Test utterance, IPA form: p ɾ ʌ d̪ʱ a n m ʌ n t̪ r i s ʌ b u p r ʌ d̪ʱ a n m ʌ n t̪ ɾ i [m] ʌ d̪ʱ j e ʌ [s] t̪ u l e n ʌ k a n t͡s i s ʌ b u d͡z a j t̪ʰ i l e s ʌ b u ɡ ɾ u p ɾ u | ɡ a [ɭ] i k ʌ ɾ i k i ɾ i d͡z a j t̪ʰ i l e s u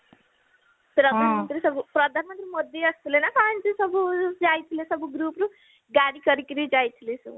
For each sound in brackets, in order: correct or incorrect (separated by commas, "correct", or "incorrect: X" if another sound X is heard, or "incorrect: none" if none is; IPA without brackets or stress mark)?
correct, correct, incorrect: ɽ